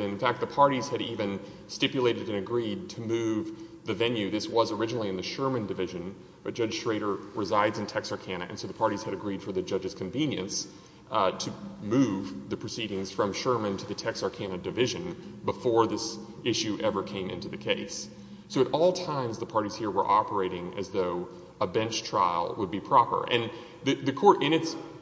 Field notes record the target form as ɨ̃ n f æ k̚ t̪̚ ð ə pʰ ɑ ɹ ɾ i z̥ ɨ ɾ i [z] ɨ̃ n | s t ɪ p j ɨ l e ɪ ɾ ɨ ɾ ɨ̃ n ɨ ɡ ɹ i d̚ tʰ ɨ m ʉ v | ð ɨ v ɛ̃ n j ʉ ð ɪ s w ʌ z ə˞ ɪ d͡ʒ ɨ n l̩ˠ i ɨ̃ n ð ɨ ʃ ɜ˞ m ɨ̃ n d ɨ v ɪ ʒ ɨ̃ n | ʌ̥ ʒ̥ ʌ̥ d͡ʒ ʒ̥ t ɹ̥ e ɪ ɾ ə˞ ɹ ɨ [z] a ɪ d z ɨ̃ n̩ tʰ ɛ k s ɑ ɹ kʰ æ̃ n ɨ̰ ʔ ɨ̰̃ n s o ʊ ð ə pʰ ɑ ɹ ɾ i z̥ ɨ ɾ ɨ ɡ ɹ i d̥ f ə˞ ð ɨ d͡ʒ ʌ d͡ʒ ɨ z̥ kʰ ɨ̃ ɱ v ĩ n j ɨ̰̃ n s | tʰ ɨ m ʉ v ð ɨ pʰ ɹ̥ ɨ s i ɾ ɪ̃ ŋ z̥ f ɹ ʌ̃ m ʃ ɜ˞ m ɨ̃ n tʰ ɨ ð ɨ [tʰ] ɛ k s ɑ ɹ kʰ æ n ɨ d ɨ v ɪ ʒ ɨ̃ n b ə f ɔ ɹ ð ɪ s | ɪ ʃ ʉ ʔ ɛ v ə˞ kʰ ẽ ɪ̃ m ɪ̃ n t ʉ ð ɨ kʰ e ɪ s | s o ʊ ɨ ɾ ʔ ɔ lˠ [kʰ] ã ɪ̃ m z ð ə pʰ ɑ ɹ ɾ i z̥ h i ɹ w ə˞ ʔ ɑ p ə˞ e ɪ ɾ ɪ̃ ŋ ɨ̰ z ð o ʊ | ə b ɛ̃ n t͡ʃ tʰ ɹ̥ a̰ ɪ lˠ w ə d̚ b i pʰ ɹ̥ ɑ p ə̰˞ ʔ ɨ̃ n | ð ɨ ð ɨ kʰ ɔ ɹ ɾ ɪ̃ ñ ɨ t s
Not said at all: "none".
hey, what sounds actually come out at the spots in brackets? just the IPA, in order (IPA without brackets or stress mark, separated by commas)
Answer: v, z, tʰ, tʰ